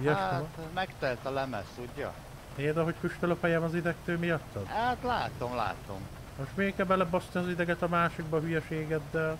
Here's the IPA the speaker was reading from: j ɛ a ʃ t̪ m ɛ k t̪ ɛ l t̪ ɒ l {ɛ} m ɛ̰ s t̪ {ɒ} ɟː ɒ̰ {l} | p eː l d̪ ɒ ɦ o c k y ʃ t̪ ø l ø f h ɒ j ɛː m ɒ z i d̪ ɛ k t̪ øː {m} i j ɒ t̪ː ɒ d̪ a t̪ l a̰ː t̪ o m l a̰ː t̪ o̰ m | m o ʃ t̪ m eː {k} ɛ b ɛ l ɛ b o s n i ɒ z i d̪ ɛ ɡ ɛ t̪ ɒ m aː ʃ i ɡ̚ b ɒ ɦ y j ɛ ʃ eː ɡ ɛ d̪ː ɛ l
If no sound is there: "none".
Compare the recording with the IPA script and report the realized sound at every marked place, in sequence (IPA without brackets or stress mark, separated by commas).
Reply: ɛ, u, none, m, k